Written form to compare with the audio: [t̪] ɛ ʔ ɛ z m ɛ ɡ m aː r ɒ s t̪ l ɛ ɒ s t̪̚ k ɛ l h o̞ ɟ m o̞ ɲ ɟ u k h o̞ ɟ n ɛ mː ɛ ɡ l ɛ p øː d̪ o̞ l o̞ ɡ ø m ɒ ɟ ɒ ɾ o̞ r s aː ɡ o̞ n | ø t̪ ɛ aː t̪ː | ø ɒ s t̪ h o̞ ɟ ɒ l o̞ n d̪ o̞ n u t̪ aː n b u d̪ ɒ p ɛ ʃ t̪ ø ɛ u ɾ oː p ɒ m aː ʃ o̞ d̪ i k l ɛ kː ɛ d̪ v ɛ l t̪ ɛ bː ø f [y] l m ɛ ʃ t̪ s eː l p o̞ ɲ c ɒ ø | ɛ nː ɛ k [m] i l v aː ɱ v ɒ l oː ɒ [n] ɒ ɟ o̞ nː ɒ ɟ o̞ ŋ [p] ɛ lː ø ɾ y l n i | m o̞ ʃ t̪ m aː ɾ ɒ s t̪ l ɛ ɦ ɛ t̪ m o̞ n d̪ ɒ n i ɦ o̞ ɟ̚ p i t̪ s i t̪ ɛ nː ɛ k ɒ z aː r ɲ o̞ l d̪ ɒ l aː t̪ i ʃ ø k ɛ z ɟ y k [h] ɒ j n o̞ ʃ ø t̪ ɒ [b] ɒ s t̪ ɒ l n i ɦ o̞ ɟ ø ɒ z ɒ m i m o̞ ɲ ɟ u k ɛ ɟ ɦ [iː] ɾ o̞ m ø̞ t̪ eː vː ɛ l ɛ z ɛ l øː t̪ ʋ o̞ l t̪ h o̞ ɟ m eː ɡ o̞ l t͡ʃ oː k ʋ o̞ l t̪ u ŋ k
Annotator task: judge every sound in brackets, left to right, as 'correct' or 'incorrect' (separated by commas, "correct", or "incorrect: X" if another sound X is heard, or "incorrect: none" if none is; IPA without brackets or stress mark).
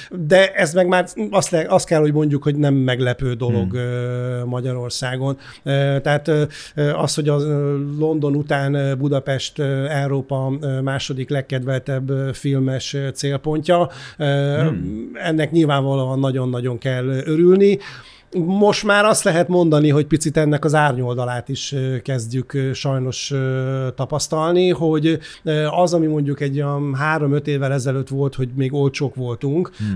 incorrect: d̪, incorrect: i, incorrect: ɲ, incorrect: nː, incorrect: k, incorrect: ʃ, incorrect: p, incorrect: aː